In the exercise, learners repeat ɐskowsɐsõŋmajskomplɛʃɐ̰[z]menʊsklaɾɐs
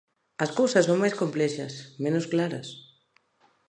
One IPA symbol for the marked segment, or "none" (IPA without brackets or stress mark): s